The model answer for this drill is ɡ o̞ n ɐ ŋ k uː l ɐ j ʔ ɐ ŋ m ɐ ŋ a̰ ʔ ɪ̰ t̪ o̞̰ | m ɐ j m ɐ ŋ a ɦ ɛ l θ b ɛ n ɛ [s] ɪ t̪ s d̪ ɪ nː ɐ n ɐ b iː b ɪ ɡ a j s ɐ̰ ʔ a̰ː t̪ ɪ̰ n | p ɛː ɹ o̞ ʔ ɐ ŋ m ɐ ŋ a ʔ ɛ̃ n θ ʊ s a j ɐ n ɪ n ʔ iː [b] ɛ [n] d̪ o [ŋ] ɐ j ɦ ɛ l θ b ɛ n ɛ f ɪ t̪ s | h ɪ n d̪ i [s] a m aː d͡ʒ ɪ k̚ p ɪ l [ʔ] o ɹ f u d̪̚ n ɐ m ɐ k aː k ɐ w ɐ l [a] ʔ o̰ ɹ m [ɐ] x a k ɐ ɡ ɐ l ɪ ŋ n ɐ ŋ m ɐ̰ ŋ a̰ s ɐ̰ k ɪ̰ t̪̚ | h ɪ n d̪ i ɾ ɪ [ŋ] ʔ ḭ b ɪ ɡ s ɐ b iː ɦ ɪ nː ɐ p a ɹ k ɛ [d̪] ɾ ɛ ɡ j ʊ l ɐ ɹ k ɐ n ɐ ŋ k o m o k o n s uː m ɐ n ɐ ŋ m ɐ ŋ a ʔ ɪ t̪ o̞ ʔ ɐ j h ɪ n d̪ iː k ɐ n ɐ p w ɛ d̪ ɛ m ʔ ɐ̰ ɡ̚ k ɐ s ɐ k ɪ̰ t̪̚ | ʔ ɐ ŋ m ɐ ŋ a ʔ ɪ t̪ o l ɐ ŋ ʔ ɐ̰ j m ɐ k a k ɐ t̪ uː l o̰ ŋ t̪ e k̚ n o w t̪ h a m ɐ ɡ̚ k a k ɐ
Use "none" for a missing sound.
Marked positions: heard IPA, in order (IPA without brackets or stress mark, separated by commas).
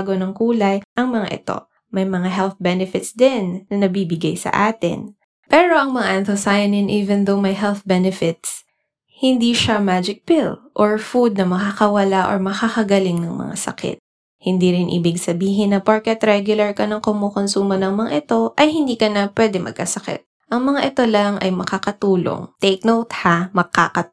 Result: f, v, n, m, ʃ, ʔ, a, ɐ, n, t̪